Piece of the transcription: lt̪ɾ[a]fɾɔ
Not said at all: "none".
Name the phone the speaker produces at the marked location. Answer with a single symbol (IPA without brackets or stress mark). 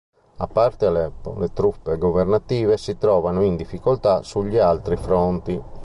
i